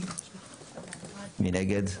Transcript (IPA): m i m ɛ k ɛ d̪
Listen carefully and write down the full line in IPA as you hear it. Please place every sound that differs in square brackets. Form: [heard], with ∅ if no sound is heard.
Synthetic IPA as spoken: m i [n] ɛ [ɡ] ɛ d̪